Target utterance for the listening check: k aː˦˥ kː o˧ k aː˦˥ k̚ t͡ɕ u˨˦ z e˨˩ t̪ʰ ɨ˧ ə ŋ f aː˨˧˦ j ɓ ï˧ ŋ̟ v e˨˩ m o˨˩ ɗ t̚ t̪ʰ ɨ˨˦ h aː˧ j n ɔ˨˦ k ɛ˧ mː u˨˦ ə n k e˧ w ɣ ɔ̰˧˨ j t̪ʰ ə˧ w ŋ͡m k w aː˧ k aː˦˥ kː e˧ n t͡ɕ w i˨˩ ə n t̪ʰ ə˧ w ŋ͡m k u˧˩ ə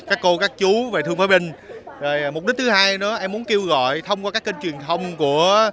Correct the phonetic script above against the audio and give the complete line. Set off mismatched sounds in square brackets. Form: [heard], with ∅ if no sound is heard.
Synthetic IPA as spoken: k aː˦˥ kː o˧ k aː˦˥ k̚ t͡ɕ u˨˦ [v] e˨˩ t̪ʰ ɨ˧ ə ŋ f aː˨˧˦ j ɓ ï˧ ŋ̟ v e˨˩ m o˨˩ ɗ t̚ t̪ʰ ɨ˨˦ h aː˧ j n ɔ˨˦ [ʔ] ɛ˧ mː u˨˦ ə n k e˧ w ɣ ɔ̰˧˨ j t̪ʰ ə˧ w ŋ͡m k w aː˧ k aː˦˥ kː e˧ n t͡ɕ w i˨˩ ə n t̪ʰ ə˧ w ŋ͡m k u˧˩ ə